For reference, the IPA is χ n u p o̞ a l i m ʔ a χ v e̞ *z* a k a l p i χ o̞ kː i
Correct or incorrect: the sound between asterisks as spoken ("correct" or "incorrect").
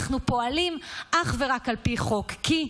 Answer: incorrect